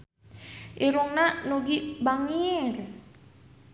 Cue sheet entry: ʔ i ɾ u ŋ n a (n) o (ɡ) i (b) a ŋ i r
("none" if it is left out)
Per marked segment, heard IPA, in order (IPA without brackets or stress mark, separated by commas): n, ɡ, b